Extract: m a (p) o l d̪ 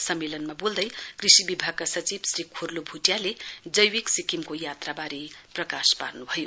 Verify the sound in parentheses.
incorrect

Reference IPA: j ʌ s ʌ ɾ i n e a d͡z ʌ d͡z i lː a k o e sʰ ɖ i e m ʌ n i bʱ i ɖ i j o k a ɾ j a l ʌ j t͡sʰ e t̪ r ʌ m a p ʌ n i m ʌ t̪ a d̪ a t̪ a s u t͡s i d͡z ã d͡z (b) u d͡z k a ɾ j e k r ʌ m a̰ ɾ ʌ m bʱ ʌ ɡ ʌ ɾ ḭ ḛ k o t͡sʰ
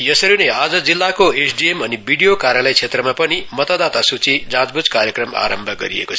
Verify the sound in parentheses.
correct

